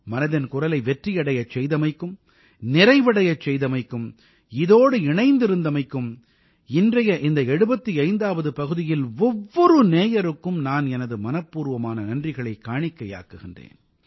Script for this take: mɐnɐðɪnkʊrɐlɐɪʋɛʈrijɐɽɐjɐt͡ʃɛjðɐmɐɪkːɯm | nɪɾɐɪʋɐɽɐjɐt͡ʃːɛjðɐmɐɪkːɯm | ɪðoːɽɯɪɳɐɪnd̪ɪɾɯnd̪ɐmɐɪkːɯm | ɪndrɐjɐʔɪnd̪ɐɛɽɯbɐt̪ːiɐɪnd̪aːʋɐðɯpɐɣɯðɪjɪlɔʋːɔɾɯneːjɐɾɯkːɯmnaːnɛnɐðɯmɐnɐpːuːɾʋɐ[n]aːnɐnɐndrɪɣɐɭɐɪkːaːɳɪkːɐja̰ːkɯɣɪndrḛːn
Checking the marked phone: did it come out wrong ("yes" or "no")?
yes